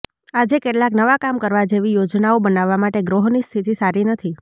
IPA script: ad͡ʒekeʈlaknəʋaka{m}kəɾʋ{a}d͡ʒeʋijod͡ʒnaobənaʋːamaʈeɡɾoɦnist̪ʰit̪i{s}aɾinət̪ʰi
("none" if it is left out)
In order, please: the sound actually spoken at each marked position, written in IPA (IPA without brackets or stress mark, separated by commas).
m, a, s